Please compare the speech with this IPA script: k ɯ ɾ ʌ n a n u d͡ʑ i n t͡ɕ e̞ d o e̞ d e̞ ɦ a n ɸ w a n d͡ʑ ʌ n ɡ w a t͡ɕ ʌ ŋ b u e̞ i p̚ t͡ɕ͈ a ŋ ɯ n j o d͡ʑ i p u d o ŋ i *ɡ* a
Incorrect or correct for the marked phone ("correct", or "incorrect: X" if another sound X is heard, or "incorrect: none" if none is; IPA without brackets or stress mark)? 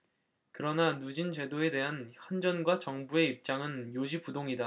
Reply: incorrect: d